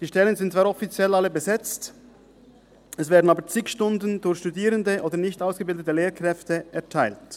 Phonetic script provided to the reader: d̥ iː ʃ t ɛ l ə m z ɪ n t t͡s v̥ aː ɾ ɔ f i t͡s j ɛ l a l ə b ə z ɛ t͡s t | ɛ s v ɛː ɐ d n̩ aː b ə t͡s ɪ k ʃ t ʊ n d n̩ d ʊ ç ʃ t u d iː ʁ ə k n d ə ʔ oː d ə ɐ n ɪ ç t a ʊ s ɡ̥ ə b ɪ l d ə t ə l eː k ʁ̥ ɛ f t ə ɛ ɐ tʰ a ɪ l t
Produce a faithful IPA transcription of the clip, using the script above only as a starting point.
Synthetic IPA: d̥ iː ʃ t ɛ l ə n z ɪ n t t͡s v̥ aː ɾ ɔ f i t͡s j ɛ l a l ə b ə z ɛ t͡s t | ɛ s v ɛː ɐ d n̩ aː b ə t͡s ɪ k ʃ t ʊ n d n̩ d ʊ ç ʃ t u d iː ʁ ə n d ə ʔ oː d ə ɐ n ɪ ç t a ʊ s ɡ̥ ə b ɪ l d ə t ə l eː k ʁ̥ ɛ f t ə ɛ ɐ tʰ a ɪ l t